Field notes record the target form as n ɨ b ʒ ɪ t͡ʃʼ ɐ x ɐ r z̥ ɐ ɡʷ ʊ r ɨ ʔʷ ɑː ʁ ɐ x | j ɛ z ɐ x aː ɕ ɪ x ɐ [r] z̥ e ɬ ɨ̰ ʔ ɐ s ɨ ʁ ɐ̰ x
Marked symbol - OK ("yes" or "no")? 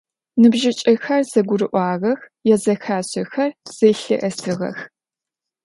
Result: yes